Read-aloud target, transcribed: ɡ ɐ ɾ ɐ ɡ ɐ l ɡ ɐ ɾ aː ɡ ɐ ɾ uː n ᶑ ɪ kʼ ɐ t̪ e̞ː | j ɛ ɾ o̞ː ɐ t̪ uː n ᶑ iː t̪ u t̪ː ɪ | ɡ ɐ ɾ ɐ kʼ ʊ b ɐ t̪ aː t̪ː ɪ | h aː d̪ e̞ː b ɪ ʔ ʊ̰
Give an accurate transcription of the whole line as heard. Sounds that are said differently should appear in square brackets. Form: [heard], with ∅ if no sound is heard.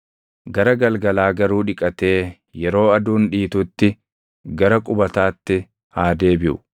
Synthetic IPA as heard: ɡ ɐ ɾ ɐ ɡ ɐ l ɡ ɐ [l] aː ɡ ɐ ɾ uː [∅] ᶑ ɪ kʼ ɐ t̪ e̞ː | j ɛ ɾ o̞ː ɐ [d̪] uː n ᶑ iː t̪ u t̪ː ɪ | ɡ ɐ ɾ ɐ kʼ ʊ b ɐ t̪ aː t̪ː ɪ | h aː d̪ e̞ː b ɪ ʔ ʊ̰